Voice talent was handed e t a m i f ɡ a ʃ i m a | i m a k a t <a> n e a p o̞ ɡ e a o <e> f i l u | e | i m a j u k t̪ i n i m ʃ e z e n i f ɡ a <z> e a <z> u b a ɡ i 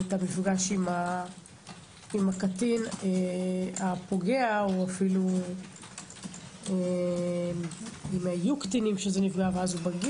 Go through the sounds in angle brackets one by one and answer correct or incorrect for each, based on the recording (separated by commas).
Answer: incorrect, incorrect, incorrect, correct